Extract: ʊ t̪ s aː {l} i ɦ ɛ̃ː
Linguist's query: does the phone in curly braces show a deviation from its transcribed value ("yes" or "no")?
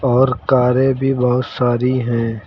yes